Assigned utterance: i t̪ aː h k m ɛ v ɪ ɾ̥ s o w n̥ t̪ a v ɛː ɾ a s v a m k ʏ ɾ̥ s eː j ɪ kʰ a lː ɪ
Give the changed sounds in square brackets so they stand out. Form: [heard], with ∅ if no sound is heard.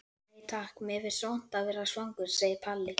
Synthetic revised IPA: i [t̪ʰ] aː h k m ɛ v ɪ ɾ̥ s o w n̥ t̪ a v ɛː ɾ a s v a [ŋ] k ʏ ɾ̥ s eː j ɪ [pʰ] a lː ɪ